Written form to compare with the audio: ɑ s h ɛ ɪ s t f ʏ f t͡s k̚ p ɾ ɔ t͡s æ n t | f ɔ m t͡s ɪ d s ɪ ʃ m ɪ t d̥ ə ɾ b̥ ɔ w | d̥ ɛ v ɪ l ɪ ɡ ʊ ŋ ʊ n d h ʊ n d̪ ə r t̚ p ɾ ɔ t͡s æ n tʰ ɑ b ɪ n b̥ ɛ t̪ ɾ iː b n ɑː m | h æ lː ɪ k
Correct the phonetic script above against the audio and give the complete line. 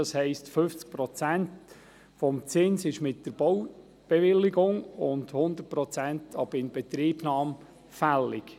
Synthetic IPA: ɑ s h ɛ ɪ s t f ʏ f t͡s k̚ p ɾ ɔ t͡s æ n t | f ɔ m t͡s ɪ n s ɪ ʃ m ɪ t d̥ ə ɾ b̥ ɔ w | b̥ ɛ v ɪ l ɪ ɡ ʊ ŋ ʊ n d h ʊ n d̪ ə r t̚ p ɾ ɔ t͡s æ n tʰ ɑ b ɪ n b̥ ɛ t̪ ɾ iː b n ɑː m | f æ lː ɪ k